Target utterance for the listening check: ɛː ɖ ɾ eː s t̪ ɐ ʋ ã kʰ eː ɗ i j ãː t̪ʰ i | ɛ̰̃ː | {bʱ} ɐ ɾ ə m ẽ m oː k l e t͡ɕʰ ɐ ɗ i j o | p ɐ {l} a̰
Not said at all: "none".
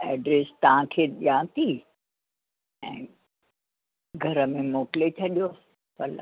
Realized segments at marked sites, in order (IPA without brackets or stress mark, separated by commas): ɡʱ, l